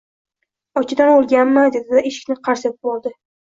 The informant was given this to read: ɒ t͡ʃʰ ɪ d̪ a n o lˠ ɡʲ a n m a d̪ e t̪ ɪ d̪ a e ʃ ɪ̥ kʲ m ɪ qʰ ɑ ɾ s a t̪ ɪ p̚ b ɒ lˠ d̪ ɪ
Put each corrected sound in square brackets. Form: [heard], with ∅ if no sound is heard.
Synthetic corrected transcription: ɒ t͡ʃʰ ɪ d̪ a n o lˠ ɡʲ a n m a d̪ e [d̪] ɪ d̪ a e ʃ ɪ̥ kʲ [n] ɪ qʰ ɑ ɾ s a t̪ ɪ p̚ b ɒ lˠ d̪ ɪ